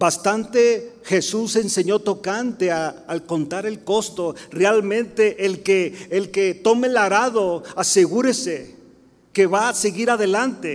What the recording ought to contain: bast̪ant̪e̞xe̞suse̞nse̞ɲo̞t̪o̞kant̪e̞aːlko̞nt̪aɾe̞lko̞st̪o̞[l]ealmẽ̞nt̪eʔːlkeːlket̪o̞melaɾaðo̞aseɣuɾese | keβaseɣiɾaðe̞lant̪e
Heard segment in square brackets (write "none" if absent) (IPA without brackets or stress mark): r